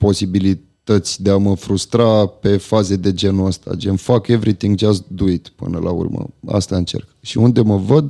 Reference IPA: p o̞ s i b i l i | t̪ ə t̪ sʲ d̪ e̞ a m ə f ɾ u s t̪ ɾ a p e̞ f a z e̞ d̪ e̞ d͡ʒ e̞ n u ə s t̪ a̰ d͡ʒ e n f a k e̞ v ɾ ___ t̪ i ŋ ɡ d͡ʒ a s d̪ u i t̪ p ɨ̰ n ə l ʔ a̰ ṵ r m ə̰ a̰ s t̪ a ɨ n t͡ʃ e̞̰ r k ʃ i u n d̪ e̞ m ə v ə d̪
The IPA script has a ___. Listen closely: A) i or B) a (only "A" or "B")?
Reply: A